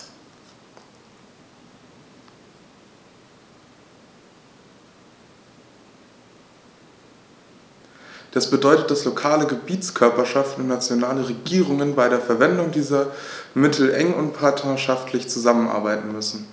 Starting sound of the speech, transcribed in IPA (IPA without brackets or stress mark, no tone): d̥